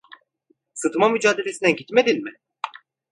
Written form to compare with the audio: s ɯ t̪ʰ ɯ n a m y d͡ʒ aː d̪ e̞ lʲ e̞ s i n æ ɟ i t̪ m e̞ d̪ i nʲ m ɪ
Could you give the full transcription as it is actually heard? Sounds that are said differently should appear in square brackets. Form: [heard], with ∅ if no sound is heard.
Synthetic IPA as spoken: s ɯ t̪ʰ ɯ [m] a m y d͡ʒ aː d̪ e̞ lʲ e̞ s i n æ ɟ i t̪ m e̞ d̪ i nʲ m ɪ